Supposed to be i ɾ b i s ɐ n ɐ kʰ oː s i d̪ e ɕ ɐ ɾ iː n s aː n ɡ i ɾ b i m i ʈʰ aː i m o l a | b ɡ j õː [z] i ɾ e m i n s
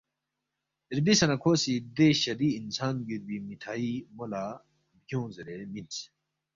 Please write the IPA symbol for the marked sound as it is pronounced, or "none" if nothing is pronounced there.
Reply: z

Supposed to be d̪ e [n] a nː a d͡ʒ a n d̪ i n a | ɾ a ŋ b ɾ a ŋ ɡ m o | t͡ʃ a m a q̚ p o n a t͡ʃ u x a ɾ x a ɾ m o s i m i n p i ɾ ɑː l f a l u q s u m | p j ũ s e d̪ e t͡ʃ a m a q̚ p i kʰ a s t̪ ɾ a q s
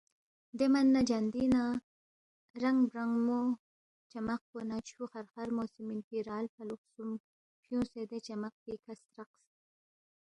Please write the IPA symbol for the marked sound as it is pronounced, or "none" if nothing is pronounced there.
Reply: m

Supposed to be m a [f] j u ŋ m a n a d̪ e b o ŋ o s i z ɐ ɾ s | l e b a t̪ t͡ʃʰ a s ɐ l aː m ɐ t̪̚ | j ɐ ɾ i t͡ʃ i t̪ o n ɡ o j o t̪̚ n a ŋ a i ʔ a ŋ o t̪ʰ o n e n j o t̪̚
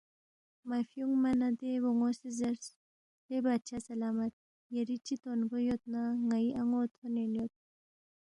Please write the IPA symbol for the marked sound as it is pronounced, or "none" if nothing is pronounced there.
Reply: f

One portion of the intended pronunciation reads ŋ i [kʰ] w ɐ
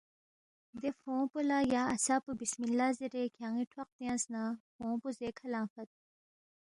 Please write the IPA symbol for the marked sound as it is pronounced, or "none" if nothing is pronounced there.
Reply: ʈʰ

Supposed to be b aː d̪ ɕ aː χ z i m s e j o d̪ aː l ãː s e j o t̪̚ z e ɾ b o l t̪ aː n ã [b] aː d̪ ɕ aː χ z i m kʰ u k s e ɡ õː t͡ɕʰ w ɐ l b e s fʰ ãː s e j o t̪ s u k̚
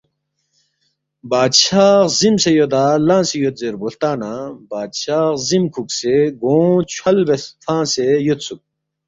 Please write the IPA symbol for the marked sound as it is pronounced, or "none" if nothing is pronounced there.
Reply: b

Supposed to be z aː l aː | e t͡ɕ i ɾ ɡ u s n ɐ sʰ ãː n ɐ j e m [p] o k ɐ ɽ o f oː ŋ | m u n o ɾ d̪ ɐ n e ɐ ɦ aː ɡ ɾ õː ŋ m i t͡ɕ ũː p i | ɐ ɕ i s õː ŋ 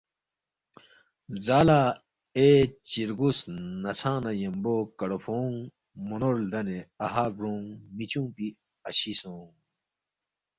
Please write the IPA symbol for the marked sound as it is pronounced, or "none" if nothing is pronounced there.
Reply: b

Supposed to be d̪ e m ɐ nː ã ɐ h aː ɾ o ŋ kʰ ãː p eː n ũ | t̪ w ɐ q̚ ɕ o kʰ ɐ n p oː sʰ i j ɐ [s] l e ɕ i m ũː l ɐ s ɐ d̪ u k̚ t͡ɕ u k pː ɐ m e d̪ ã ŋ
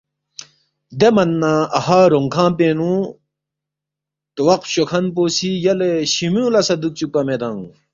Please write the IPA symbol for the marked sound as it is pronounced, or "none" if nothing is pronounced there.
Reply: none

